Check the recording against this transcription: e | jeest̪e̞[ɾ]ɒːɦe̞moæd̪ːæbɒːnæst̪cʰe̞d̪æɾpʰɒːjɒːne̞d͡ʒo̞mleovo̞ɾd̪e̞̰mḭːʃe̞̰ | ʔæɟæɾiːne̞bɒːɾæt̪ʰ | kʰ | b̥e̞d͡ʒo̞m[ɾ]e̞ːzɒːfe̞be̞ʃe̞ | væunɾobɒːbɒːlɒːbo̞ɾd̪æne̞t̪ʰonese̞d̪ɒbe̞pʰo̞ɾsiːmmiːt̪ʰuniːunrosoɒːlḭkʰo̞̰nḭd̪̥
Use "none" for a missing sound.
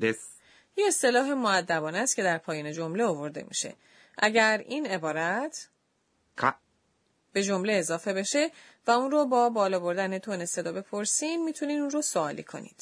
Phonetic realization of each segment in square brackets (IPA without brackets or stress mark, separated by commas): l, l